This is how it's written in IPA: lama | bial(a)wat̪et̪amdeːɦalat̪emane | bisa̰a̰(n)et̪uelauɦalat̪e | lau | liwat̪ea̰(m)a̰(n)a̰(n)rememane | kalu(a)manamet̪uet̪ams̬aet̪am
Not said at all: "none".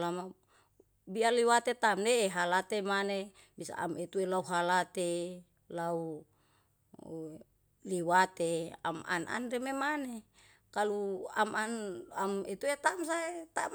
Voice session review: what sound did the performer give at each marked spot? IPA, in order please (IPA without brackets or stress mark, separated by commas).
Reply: i, m, m, n, n, a